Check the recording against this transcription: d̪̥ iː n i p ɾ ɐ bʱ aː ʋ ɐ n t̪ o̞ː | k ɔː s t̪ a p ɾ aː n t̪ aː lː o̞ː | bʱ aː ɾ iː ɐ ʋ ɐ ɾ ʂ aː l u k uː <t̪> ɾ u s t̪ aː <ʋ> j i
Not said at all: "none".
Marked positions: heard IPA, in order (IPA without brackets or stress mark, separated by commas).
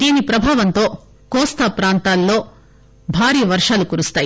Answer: none, none